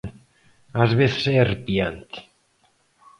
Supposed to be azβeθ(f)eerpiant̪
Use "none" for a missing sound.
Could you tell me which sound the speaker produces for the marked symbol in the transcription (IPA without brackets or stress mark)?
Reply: s